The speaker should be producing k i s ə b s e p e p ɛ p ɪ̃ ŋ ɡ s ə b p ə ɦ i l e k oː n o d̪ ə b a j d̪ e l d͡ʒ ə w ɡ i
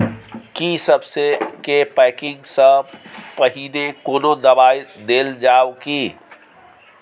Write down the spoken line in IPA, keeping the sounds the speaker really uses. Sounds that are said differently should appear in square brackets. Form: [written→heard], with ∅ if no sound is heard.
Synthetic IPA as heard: k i s ə b s e [p→k] e p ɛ [p→k] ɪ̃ ŋ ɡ s ə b p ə ɦ i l e k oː n o d̪ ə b a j d̪ e l d͡ʒ [ə→a] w [ɡ→k] i